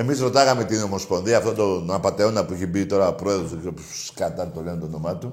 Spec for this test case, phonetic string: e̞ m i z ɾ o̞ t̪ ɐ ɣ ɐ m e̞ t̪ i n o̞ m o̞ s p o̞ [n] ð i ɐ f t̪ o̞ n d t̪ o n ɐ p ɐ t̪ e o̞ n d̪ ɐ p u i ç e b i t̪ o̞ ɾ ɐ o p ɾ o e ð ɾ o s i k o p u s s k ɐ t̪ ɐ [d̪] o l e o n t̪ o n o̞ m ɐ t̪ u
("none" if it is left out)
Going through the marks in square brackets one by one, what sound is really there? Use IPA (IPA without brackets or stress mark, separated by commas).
n, t̪